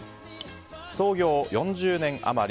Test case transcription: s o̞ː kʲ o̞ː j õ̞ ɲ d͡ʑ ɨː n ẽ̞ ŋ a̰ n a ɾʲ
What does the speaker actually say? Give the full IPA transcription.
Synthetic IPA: s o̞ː ɡʲ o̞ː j õ̞ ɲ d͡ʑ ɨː n ẽ̞ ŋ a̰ m a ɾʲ